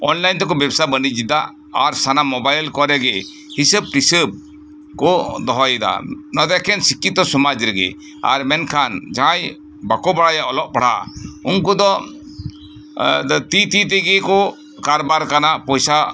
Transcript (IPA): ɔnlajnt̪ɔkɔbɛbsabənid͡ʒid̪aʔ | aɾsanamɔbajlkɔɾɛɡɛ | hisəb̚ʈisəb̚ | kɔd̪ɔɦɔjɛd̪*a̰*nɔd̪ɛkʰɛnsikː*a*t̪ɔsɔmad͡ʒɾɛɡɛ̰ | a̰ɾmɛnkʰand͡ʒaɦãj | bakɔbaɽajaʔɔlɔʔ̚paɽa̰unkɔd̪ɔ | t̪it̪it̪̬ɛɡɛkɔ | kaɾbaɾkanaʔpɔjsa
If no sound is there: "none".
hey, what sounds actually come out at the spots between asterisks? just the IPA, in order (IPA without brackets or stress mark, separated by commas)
a̰, i